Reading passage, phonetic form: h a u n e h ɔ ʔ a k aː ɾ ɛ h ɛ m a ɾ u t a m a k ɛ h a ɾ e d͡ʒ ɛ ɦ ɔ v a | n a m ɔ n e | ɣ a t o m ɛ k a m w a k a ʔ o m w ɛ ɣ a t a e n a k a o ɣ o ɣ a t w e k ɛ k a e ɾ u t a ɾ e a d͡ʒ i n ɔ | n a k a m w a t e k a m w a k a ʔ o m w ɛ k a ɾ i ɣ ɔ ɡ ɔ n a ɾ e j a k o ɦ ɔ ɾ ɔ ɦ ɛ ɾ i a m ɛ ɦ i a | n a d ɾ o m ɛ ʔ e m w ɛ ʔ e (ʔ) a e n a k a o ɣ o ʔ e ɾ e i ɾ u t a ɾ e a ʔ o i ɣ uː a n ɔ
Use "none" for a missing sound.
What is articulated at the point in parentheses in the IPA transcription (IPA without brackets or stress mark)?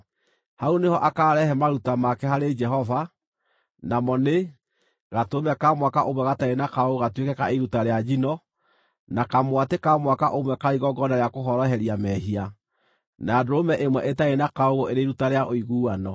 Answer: t